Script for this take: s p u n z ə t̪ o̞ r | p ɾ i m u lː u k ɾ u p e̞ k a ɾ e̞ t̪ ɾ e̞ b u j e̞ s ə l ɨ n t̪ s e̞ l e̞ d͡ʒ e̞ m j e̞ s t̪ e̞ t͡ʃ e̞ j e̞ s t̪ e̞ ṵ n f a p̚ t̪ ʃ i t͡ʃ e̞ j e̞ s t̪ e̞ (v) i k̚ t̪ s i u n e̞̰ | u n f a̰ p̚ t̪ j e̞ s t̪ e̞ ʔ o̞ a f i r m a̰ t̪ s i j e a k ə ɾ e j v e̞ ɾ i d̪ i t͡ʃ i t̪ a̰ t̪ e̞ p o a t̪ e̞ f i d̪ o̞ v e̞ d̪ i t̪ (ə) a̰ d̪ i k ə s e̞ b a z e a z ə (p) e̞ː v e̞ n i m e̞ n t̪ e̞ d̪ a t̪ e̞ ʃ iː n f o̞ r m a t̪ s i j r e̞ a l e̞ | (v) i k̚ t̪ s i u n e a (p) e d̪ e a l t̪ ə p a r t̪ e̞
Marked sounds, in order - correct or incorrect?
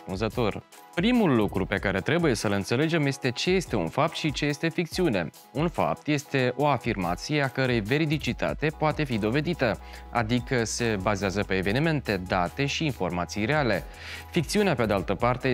incorrect: f, correct, correct, incorrect: f, correct

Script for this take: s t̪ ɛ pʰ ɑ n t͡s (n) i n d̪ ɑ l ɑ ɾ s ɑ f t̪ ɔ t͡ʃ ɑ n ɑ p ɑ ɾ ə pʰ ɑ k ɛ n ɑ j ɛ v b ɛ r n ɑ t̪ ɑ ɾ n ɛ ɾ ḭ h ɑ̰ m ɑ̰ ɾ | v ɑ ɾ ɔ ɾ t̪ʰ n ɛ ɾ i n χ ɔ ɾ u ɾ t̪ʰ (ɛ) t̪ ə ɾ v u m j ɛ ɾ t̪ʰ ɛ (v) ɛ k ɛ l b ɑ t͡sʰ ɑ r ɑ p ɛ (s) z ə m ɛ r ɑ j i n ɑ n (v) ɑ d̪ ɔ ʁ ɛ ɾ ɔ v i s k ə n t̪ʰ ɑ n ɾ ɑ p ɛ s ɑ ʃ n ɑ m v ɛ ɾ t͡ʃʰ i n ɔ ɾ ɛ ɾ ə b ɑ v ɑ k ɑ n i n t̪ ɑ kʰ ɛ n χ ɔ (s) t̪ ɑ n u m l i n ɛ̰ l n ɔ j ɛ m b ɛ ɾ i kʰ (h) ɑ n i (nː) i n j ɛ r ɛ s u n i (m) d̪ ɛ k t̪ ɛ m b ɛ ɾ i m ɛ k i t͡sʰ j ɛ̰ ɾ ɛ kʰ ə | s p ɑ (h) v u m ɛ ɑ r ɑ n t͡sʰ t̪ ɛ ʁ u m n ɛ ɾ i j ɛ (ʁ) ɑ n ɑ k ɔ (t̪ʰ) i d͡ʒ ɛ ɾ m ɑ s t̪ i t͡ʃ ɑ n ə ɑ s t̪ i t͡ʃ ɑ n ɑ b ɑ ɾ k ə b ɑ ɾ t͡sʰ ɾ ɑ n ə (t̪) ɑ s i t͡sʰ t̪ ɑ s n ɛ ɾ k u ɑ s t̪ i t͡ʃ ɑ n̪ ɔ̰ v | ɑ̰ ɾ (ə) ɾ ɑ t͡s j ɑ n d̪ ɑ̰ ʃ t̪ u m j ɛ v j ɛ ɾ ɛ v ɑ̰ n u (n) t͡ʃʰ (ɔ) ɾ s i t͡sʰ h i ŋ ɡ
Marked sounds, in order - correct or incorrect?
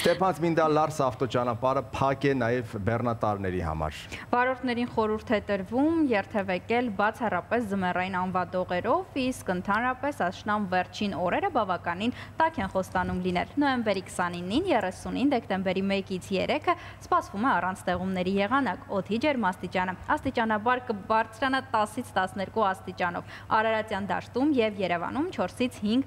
incorrect: m, correct, correct, correct, correct, correct, incorrect: s, correct, incorrect: n, incorrect: s, correct, correct, correct, incorrect: ɑ, incorrect: m, correct

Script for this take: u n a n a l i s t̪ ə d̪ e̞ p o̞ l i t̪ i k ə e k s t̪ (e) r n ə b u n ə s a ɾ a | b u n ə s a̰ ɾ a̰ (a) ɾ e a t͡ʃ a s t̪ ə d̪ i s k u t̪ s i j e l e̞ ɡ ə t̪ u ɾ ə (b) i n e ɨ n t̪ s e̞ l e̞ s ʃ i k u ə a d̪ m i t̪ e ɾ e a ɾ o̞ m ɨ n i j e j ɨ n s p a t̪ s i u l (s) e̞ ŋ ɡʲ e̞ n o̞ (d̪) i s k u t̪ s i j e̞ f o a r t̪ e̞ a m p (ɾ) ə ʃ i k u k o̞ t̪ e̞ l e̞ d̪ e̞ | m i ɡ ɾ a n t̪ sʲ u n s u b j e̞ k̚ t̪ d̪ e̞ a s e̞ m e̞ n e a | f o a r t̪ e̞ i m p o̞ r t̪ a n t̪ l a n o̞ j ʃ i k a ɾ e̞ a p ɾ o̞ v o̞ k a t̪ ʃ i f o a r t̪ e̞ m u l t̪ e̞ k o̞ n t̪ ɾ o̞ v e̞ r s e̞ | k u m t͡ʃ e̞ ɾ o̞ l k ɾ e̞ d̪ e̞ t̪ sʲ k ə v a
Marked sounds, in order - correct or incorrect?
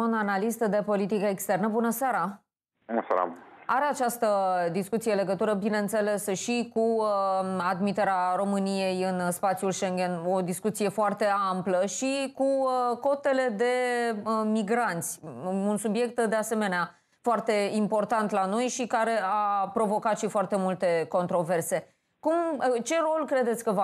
correct, correct, correct, incorrect: ʃ, correct, incorrect: l

